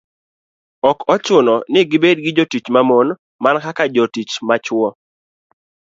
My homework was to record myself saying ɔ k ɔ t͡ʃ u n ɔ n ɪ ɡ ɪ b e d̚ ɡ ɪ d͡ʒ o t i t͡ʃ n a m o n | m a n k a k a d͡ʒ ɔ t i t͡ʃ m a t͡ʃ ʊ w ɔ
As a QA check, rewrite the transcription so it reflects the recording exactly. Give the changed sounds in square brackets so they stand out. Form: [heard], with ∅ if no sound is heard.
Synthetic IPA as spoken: ɔ k ɔ t͡ʃ [ʊ] n ɔ n ɪ ɡ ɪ b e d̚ ɡ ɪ d͡ʒ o t i t͡ʃ [m] a m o n | m a n k a k a d͡ʒ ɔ t i t͡ʃ m a t͡ʃ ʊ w ɔ